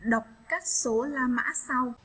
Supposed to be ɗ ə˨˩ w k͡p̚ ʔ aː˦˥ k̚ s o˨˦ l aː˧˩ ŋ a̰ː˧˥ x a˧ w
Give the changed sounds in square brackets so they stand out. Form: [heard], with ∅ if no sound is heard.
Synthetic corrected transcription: ɗ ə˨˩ w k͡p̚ [k] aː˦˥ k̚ s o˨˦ l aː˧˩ [m] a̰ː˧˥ [s] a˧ w